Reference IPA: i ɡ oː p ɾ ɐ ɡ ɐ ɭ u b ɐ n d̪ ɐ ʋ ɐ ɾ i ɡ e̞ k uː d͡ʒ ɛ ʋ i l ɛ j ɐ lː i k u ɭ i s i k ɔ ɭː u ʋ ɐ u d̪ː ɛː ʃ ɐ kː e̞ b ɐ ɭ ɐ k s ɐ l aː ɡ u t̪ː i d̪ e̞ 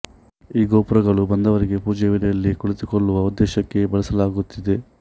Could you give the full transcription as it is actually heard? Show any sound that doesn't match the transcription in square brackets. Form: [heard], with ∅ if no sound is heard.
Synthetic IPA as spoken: [iː] ɡ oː p ɾ ɐ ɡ ɐ ɭ u b ɐ n d̪ ɐ ʋ ɐ ɾ i ɡ e̞ [p] uː d͡ʒ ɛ ʋ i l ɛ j ɐ lː i k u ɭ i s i k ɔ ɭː u ʋ ɐ u d̪ː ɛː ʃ ɐ kː e̞ b ɐ ɭ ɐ [∅] s ɐ l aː ɡ u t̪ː i d̪ e̞